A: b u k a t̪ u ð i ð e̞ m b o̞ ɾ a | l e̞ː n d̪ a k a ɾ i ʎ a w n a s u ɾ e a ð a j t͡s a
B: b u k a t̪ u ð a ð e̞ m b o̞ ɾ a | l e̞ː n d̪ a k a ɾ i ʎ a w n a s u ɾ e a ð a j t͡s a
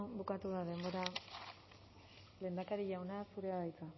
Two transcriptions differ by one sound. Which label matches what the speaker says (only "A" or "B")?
B